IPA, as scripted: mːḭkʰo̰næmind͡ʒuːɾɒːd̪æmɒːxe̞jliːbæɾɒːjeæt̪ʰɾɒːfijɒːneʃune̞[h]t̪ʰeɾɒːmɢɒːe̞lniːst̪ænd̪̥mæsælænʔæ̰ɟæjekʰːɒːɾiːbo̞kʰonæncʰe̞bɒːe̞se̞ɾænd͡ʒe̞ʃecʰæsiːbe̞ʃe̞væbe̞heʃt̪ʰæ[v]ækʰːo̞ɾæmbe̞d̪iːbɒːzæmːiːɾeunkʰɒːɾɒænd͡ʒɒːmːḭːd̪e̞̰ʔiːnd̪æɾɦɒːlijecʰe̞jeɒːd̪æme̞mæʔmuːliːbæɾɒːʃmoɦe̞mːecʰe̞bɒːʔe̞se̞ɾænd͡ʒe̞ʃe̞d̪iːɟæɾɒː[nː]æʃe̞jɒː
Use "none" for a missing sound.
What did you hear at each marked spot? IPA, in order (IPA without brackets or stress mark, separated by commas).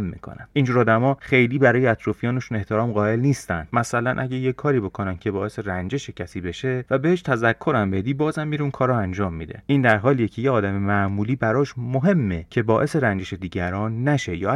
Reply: h, z, nː